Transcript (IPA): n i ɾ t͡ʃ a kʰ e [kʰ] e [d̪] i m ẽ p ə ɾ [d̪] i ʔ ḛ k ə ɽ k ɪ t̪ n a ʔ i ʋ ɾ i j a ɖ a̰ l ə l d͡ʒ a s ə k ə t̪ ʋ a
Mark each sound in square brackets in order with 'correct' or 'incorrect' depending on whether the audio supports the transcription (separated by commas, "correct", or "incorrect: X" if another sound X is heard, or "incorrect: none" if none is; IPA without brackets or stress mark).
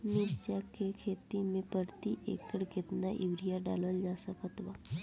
correct, incorrect: t̪, incorrect: t̪